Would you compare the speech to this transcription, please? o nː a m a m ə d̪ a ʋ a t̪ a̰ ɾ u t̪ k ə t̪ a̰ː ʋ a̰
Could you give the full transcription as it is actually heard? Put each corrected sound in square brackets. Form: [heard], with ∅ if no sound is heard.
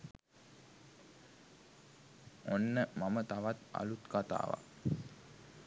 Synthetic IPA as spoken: o nː [ə] m a m ə [t̪] a ʋ a t̪ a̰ [l] u t̪ k [a] t̪ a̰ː ʋ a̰